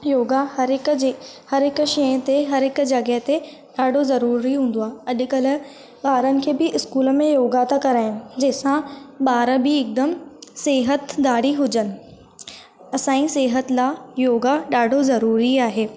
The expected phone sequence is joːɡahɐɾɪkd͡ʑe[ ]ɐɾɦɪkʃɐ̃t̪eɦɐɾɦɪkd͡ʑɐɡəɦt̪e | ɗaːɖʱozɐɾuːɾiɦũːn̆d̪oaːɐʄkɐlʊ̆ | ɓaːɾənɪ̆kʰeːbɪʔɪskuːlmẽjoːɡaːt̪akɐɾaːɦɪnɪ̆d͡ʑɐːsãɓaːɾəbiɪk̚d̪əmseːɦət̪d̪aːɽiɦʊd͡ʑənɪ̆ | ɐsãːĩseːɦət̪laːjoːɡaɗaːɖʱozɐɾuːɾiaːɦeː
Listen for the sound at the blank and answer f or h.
h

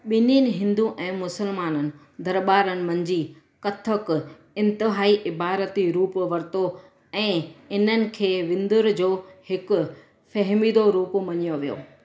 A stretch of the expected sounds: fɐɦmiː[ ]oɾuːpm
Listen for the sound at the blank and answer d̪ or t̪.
d̪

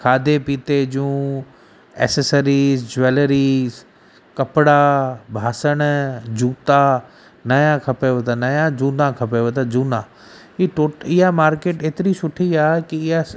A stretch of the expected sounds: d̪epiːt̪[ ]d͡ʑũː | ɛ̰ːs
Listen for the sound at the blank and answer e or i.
e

